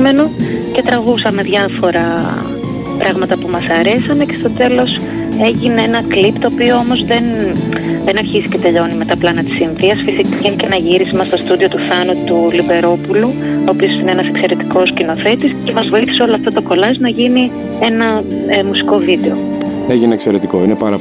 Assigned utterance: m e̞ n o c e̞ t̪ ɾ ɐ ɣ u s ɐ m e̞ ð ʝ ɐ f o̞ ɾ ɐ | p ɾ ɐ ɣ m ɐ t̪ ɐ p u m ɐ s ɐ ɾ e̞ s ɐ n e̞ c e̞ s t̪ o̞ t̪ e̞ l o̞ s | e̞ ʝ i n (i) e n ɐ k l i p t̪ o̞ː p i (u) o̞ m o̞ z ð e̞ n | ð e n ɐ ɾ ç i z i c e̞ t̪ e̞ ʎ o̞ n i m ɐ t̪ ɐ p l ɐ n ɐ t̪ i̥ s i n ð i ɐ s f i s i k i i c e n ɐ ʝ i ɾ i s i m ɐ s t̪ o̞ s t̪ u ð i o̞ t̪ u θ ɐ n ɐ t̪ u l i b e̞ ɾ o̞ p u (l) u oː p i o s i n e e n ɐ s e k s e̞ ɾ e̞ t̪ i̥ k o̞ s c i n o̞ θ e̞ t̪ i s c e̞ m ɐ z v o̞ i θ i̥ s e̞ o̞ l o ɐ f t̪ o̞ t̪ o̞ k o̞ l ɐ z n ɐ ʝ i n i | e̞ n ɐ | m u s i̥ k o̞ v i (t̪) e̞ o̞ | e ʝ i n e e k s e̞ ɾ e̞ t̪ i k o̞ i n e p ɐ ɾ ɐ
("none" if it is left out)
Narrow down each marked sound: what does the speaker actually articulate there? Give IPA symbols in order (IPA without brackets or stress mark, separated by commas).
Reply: e, o, l, d̪